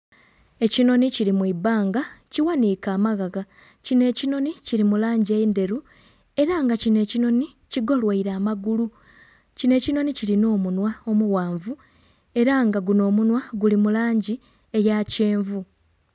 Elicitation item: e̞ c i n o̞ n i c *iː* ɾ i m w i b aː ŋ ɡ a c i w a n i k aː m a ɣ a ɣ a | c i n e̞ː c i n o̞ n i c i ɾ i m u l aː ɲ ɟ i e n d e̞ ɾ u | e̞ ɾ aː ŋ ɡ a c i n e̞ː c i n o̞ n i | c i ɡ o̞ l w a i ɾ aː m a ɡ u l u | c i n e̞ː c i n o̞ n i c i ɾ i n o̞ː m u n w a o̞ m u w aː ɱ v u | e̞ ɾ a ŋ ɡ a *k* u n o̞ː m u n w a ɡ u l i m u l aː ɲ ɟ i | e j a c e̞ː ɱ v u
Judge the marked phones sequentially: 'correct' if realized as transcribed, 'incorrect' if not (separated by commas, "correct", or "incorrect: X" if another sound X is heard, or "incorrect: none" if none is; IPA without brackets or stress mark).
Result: incorrect: i, incorrect: ɡ